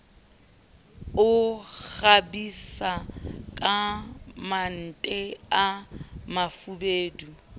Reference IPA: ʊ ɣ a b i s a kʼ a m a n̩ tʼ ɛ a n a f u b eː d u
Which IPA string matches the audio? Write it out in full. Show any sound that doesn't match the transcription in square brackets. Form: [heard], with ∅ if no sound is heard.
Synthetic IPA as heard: ʊ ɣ a b i s a kʼ a m a n̩ tʼ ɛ a [m] a f u b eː d u